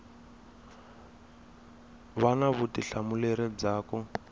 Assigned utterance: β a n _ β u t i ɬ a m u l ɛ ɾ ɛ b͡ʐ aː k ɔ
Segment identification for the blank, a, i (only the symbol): a